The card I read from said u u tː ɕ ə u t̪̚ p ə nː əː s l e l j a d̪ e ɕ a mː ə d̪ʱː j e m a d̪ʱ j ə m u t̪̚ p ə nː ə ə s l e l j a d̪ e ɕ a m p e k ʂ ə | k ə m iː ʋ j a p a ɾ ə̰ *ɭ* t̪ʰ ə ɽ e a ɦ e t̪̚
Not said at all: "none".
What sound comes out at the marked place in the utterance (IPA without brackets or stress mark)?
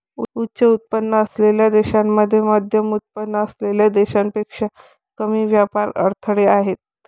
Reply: ɾ